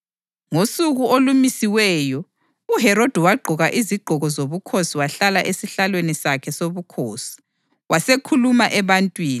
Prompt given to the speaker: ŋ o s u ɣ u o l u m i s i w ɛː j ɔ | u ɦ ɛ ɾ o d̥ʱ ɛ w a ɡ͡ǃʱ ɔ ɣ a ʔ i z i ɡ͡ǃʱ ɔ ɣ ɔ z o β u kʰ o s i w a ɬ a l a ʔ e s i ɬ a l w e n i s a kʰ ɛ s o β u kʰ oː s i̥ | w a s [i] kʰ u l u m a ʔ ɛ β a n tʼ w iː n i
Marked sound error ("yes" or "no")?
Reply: yes